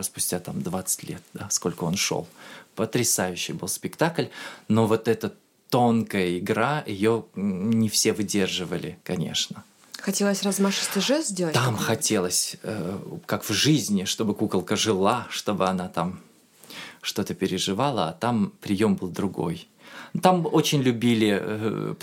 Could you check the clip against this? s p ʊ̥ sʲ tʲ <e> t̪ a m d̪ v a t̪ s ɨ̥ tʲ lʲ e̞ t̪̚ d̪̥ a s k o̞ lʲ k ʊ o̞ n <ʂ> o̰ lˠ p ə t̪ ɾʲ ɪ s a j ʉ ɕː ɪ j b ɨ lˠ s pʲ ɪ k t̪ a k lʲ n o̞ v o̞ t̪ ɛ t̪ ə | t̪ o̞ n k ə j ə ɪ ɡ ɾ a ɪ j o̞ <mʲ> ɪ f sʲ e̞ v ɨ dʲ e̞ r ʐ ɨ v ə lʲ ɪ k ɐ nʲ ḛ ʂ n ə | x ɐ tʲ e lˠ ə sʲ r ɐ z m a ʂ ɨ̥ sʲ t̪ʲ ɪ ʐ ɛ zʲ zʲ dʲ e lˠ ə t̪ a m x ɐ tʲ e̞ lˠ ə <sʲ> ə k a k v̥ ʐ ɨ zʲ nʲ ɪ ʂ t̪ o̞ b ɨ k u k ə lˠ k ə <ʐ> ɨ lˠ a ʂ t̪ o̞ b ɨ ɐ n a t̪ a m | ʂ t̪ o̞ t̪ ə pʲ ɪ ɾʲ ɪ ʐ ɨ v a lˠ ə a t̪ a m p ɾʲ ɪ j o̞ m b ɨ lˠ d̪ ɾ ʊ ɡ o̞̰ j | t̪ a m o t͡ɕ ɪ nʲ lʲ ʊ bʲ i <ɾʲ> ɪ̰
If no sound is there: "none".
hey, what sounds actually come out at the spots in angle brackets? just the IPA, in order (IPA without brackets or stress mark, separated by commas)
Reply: a, ʂ, nʲ, sʲ, ʐ, lʲ